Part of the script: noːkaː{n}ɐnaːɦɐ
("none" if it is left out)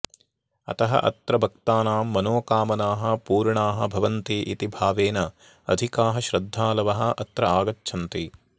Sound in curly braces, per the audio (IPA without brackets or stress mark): m